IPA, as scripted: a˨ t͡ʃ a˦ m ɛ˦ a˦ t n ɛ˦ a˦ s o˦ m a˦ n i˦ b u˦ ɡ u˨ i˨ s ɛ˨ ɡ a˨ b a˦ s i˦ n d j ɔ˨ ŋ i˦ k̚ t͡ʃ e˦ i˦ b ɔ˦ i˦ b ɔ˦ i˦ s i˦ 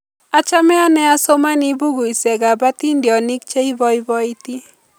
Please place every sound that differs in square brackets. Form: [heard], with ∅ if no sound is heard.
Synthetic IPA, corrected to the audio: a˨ t͡ʃ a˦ m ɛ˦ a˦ [∅] n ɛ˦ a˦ s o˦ m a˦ n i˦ b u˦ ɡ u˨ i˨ s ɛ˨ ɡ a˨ b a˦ [t] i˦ n d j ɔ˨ [n] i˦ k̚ t͡ʃ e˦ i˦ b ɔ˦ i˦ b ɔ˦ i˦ [t] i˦